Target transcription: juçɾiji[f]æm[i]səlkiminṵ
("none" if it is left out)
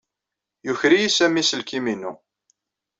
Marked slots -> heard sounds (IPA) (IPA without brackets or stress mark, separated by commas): s, i